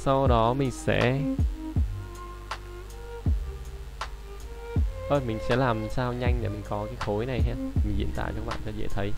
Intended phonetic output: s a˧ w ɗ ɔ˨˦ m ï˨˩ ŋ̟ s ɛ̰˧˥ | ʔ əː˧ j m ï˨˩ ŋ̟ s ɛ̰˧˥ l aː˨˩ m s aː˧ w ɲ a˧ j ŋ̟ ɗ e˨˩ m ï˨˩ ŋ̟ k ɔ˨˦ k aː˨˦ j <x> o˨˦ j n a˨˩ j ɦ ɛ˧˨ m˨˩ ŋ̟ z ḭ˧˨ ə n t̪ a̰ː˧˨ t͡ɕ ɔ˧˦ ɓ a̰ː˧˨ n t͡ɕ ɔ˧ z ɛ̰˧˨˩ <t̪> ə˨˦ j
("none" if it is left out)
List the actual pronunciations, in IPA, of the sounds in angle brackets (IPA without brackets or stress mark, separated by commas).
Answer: x, t̪ʰ